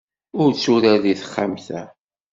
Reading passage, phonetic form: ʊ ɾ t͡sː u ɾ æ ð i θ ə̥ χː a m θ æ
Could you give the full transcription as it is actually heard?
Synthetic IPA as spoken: ʊ ɾ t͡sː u ɾ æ ð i θ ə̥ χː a m θ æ